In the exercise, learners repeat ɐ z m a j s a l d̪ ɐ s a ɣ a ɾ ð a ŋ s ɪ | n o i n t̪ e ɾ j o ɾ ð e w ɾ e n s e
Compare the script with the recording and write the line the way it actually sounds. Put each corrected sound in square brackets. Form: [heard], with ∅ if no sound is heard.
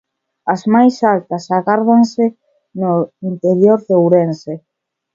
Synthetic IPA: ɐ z m a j s a l [t̪] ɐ s a ɣ a ɾ ð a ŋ s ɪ | n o i n t̪ e ɾ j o ɾ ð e w ɾ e n s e

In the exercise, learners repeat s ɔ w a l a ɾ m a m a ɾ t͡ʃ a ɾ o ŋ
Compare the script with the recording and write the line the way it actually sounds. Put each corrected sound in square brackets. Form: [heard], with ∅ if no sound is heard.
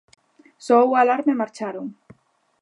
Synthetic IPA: s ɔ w a l a ɾ m [e] m a ɾ t͡ʃ a ɾ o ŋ

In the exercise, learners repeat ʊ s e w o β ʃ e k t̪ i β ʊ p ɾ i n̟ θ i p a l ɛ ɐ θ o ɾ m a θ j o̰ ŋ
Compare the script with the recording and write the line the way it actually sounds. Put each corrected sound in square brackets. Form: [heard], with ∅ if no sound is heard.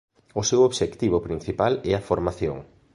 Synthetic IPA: ʊ s e w o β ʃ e k t̪ i β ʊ p ɾ i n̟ θ i p a l ɛ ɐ [f] o ɾ m a θ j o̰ ŋ

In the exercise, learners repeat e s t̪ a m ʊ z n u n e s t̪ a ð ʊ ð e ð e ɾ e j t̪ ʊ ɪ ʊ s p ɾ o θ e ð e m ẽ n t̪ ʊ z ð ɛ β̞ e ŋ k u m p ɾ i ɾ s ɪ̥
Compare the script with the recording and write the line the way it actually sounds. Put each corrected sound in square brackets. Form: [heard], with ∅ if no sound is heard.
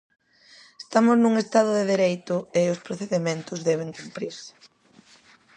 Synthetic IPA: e s t̪ a m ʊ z n u [ŋ] e s t̪ a ð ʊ ð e ð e ɾ e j t̪ ʊ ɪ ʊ s p ɾ o θ e ð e m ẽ n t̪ ʊ z ð ɛ β̞ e ŋ k u m p ɾ i ɾ s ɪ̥

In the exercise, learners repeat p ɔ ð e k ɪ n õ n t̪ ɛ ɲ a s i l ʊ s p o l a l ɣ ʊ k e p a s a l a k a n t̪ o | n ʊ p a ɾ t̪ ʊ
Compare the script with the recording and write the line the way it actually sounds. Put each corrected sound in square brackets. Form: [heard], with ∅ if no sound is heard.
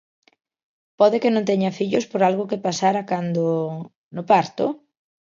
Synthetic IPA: p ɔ ð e k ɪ n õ n t̪ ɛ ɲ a [f] i [ʎ] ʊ s p o [ɾ] a l ɣ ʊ k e p a s a [ɾ] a k a n [d̪] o | n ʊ p a ɾ t̪ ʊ

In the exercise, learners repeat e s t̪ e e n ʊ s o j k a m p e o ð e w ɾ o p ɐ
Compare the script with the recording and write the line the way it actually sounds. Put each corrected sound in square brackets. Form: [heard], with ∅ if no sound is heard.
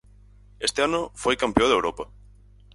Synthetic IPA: e s t̪ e [a] n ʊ [f] o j k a m p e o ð e w ɾ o p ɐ

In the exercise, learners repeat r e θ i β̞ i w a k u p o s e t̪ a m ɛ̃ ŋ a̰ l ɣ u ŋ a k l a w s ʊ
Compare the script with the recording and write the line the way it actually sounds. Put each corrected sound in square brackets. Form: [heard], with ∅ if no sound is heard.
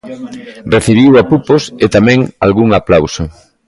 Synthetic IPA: r e θ i β̞ i w a [p] u p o s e t̪ a m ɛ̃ ŋ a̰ l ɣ u ŋ a [p] l a w s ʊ

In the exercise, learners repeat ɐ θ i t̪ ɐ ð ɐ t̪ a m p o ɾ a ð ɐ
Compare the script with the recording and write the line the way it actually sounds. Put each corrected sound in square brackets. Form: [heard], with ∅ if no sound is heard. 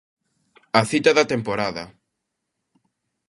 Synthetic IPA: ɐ θ i t̪ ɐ ð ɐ t̪ [e] m p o ɾ a ð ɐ

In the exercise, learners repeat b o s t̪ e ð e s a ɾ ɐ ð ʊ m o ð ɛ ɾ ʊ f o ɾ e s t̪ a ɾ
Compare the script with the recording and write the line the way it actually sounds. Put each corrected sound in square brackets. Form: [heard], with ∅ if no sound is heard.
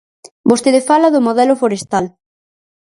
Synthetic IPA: b o s t̪ e ð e [f] a [l] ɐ ð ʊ m o ð ɛ [l] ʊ f o ɾ e s t̪ a [l]

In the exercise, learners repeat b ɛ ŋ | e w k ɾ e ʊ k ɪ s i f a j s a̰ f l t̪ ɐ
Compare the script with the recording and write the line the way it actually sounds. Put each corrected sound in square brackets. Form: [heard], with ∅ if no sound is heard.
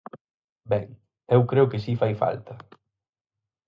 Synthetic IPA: b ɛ ŋ | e w k ɾ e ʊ k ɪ s i f a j [f] a̰ [∅] l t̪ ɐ

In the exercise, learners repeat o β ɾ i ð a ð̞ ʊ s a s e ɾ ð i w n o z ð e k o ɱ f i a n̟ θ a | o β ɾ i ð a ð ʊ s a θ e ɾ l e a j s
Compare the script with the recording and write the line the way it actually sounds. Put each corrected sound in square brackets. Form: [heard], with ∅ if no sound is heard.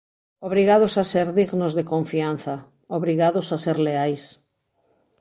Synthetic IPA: o β ɾ i [ɣ] a ð̞ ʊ s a s e ɾ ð i [ɣ] n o z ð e k o ɱ f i a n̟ θ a | o β ɾ i [ɣ] a ð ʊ s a [s] e ɾ l e a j s

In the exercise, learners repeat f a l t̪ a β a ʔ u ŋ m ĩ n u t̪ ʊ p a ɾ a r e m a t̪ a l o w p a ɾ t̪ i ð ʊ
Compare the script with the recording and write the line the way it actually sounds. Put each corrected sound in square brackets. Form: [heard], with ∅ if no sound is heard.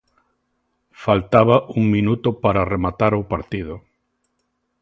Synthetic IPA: f a l t̪ a β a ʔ u ŋ m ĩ n u t̪ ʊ p a ɾ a r e m a t̪ a [ɾ] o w p a ɾ t̪ i ð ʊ

